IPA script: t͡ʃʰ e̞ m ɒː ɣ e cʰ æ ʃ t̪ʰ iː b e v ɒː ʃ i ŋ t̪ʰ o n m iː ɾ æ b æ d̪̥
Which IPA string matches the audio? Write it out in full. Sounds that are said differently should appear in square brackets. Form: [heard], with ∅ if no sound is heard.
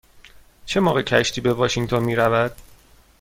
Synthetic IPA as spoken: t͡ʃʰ e̞ m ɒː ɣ e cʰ æ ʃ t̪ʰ iː b e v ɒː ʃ i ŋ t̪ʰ o n m iː ɾ æ [v] æ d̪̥